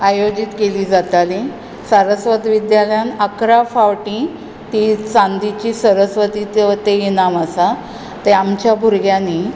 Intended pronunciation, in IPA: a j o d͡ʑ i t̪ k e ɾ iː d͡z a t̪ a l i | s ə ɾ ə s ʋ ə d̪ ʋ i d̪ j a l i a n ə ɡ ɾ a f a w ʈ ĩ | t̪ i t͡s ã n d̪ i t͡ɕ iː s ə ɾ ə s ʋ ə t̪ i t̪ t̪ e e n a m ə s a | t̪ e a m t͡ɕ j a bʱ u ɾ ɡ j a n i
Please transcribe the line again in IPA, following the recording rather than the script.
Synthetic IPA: a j o d͡ʑ i t̪ k e l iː d͡z a t̪ a l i | s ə ɾ ə s ʋ ə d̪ ʋ i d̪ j a l j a n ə k ɾ a f a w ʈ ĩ | t̪ i t͡s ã n d̪ i t͡ɕ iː s ə ɾ ə s ʋ ə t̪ i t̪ t̪ e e n a m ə s a | t̪ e a m t͡ɕ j a bʱ u ɾ ɡ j a n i

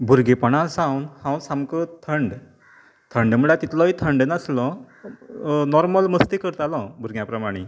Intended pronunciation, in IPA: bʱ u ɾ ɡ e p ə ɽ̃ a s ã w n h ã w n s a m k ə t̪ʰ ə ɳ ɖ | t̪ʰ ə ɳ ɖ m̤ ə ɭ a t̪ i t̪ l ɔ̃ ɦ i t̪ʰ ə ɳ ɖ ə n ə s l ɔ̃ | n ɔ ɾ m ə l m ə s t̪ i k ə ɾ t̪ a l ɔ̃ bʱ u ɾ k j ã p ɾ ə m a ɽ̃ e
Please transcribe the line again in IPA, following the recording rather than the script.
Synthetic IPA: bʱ u ɾ ɡ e p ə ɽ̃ a s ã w n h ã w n s a m k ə t̪ʰ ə ɳ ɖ | t̪ʰ ə ɳ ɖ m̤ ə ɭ a t̪ i t̪ l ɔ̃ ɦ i t̪ʰ ə ɳ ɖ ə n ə s l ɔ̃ | n ɔ ɾ m ə l m ə s t̪ i k ə ɾ t̪ a l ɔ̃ bʱ u ɾ ɡ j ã p ɾ ə m a ɽ̃ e

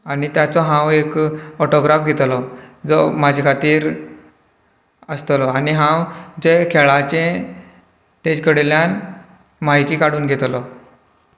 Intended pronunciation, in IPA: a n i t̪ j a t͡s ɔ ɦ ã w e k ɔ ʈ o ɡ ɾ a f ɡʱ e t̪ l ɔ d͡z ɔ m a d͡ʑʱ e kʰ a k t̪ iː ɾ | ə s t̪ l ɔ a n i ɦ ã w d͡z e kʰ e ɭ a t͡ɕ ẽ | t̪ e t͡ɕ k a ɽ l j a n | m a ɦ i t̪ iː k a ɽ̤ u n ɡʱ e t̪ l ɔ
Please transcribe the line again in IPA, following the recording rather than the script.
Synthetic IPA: a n i t̪ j a t͡s ɔ ɦ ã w e k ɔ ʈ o ɡ ɾ a f ɡʱ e t̪ l ɔ d͡z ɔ m a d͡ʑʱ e kʰ a t̪ iː ɾ | ə s t̪ l ɔ a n i ɦ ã w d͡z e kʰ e ɭ a t͡ɕ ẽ | t̪ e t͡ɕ k ə ɽ l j a n | m a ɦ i t̪ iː k a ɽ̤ uː n ɡʱ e t̪ l ɔ

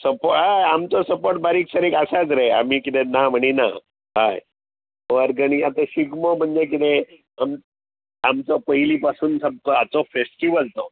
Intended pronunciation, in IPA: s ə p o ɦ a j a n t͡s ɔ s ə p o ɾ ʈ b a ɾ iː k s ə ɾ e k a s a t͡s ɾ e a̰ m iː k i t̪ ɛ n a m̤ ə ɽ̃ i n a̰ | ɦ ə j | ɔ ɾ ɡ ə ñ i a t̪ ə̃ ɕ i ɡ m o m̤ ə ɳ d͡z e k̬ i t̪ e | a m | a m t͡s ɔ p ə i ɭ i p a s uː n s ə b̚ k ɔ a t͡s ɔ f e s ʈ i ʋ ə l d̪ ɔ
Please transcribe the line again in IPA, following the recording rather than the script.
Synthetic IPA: s ə p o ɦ a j a m t͡s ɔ s ə p o ɾ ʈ b a ɾ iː k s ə ɾ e k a s a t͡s ɾ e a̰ m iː k i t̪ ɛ n a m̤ ə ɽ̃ i n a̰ | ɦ a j | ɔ ɾ ɡ ə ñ i a t̪ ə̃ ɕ i ɡ m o m̤ ə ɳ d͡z e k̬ i t̪ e | a m | a m t͡s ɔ p ə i l i p a s uː n s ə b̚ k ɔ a t͡s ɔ f e s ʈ i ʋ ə l t̪ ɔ

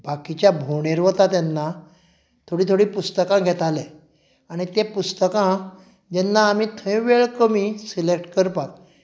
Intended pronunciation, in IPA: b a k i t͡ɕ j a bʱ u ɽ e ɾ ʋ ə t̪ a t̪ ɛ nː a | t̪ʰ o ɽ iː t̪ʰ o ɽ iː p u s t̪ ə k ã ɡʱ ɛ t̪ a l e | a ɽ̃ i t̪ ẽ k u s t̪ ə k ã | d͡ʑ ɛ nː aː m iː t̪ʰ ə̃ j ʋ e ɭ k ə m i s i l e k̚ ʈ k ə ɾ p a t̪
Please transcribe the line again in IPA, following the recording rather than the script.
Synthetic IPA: b a k i t͡ɕ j a bʱ o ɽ e ɾ ʋ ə t̪ a t̪ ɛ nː a | t̪ʰ o ɽ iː t̪ʰ o ɽ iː p u s t̪ ə k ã ɡʱ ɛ t̪ a l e | a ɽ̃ i t̪ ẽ p u s t̪ ə k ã | d͡ʑ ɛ nː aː m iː t̪ʰ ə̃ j ʋ e ɭ k ə m i s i l e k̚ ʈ k ə ɾ p a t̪

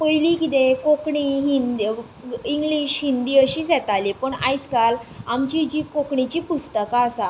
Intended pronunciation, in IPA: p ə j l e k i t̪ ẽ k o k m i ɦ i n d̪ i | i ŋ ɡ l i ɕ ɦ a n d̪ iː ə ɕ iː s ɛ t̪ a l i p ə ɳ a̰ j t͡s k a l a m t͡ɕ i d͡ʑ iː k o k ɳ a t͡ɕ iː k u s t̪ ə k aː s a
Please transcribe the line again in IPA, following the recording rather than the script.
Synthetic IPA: p ə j l i k i t̪ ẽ k o k ɳ i ɦ i n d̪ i | i ŋ ɡ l i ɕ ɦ i n d̪ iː ə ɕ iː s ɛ t̪ a l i p ə ɳ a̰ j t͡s k a l a m t͡ɕ i d͡ʑ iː k o k ɳ i t͡ɕ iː p u s t̪ ə k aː s a

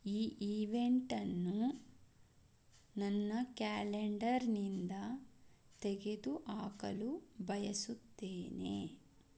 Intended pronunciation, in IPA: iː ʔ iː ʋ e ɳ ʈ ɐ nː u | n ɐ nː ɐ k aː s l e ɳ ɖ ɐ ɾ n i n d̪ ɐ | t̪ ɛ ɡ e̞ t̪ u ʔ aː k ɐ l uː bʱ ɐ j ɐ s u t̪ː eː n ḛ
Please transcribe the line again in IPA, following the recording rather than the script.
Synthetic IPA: iː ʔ iː ʋ e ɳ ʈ ɐ nː u | n ɐ nː ɐ k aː l e ɳ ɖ ɐ ɾ n i n d̪ ɐ | t̪ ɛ ɡ e̞ d̪ u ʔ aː k ɐ l u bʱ ɐ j ɐ s u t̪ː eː n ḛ

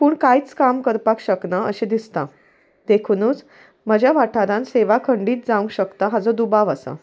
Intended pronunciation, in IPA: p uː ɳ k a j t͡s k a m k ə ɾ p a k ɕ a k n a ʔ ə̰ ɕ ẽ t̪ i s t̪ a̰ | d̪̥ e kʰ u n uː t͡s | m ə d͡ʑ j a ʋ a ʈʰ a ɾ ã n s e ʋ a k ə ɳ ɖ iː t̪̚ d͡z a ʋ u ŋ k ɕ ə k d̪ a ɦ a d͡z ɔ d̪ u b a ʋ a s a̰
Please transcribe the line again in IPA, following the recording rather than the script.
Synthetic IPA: p uː ɳ k a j t͡s k a m k ə ɾ p a k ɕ ə k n a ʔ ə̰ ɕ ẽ d̪ i s t̪ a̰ | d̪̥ e kʰ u n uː t͡s | m ə d͡ʑ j a ʋ a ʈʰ a ɾ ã n s e ʋ a kʰ ə ɳ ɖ iː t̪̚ d͡z a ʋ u ŋ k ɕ ə k t̪ a ɦ a d͡z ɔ d̪ u b a ʋ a s a̰

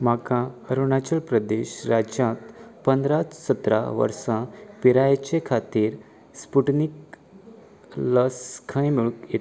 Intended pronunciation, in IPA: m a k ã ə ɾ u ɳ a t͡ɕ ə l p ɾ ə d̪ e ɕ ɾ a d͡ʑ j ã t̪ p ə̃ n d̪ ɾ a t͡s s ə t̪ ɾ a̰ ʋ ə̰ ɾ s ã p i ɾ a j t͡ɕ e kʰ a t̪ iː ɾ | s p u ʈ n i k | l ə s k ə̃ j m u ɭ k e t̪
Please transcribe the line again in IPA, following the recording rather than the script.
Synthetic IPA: m a k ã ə ɾ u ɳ a t͡ɕ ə l p ɾ ə d̪ e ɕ ɾ a d͡ʑ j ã t̪ p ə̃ n d̪ ɾ a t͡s s ə t̪ ɾ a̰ ʋ ə̰ ɾ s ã p i ɾ a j t͡ɕ e kʰ a t̪ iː ɾ | s p u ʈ n i k | l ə s kʰ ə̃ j m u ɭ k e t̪

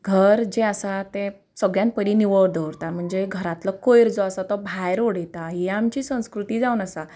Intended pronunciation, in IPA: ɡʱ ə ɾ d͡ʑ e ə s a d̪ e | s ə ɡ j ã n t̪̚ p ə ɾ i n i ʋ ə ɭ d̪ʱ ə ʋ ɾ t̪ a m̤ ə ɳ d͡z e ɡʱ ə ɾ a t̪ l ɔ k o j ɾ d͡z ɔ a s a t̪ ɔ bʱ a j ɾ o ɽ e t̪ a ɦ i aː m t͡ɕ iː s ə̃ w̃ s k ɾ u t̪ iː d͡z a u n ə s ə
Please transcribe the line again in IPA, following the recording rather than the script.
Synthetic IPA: ɡʱ ə ɾ d͡ʑ e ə s a t̪ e | s ə ɡ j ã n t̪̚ p ə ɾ i n i ʋ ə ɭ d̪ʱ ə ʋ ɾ t̪ a m̤ ə ɳ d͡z e ɡʱ ə ɾ a t̪ l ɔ k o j ɾ d͡z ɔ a s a t̪ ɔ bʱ a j ɾ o ɽ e t̪ a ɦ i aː m t͡ɕ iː s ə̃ w̃ s k ɾ u t̪ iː d͡z a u n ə s a

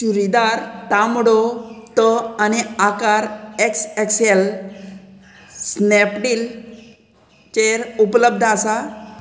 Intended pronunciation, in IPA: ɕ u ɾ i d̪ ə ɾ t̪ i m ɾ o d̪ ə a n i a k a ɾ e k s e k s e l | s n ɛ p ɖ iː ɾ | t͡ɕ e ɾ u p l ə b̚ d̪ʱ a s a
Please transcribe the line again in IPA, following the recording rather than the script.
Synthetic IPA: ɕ u ɾ i d̪ a ɾ t̪ a m ɽ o t̪ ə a n i a k a ɾ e k s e k s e l | s n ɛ p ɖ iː l | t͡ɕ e ɾ u p l ə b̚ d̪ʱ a s a

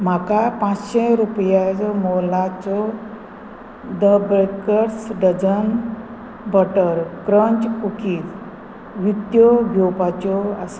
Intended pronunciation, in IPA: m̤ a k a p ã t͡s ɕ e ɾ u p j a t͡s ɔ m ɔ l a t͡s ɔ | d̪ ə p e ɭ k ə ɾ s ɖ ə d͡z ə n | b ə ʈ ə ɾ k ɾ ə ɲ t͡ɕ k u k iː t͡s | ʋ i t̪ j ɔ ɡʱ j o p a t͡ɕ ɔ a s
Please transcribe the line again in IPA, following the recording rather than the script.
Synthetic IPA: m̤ a k a p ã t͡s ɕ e ɾ u p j a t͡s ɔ m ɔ l a t͡s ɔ | d̪ ə b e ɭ k ə ɾ s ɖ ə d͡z ə n | b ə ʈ ə ɾ k ɾ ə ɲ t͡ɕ k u k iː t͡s | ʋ i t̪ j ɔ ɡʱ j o p a t͡ɕ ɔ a s

